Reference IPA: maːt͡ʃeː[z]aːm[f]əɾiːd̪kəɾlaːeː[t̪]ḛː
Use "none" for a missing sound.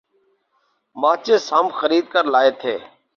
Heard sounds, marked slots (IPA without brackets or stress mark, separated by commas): s, x, t̪ʰ